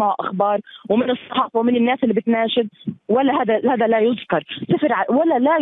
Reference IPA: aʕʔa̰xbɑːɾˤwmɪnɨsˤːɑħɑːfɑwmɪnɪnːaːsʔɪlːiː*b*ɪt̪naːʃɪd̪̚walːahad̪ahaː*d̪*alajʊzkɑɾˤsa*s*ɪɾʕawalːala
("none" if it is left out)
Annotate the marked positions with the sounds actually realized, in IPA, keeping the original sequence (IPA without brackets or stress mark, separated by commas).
b, d̪, f